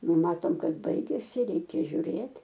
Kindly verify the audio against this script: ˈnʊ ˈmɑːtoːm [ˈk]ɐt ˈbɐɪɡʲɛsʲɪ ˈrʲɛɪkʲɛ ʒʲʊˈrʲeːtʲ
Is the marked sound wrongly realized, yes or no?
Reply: no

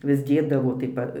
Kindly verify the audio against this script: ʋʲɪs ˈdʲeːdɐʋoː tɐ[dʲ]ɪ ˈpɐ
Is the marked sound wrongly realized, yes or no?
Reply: yes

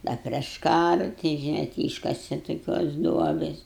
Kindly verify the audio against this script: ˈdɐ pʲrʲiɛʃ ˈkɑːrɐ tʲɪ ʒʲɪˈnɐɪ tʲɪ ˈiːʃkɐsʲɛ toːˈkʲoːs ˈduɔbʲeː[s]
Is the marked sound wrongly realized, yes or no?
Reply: no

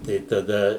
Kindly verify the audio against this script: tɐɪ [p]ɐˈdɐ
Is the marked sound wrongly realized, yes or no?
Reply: yes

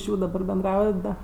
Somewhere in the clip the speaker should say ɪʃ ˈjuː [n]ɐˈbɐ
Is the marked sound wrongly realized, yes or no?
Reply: yes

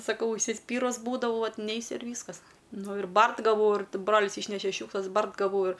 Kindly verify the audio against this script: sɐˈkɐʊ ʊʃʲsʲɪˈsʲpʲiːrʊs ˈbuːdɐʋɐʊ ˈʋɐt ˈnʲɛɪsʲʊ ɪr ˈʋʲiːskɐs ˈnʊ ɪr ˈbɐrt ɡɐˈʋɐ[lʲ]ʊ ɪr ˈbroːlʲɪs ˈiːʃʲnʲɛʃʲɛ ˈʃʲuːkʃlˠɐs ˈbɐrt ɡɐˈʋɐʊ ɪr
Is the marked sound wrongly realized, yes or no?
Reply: yes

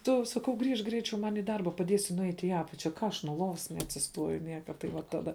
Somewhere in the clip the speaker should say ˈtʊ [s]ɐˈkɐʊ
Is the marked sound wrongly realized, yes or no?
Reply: no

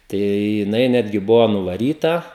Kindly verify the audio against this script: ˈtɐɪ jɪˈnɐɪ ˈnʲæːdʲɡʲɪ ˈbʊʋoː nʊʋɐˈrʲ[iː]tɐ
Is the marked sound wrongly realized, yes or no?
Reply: no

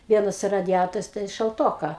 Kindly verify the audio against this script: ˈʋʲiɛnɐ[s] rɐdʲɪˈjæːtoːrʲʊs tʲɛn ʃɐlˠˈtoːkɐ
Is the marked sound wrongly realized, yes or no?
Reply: no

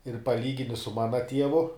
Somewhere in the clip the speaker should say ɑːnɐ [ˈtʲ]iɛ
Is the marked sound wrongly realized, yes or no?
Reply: no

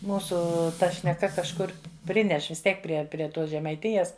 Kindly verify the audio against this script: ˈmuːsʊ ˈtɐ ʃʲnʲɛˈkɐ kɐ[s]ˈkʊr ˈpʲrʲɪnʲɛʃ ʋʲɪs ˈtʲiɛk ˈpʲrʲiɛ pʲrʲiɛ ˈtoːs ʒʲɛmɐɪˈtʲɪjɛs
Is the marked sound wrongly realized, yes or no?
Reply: yes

